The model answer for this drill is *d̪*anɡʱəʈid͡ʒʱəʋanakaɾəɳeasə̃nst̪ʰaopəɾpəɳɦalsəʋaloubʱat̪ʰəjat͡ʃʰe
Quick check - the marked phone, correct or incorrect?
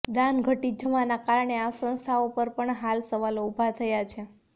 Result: correct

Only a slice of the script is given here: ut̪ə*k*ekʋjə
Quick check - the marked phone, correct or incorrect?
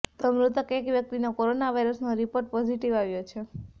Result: correct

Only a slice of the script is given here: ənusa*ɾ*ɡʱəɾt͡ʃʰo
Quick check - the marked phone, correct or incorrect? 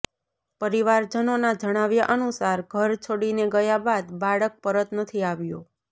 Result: correct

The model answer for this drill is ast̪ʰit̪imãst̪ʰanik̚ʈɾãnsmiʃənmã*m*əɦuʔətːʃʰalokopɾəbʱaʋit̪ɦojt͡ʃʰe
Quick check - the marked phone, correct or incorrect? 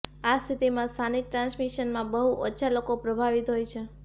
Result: incorrect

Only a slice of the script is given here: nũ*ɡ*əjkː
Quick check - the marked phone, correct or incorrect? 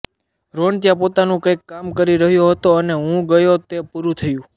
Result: incorrect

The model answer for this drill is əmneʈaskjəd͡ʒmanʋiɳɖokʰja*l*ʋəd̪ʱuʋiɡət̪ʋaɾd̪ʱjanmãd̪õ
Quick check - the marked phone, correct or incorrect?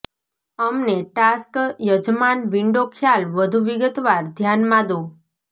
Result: correct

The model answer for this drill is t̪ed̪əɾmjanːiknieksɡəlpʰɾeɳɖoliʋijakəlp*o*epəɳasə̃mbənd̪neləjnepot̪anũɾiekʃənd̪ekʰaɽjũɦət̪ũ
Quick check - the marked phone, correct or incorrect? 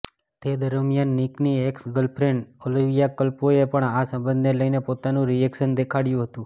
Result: correct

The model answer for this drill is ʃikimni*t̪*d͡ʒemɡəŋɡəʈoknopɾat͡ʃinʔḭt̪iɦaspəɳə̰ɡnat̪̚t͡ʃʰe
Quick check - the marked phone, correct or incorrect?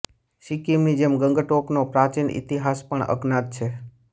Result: incorrect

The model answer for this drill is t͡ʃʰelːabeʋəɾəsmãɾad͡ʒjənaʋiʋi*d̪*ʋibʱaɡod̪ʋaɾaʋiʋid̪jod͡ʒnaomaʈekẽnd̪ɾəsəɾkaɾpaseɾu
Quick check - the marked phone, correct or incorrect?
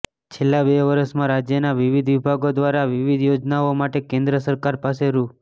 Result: correct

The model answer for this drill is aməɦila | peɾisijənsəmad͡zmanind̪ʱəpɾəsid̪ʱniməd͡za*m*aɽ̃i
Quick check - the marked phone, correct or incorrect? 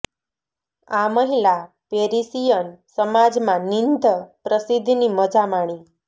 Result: correct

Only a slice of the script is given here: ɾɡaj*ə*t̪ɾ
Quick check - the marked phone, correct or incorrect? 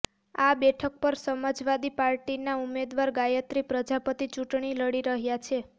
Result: correct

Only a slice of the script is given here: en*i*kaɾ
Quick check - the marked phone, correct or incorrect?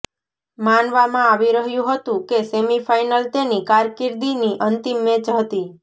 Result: correct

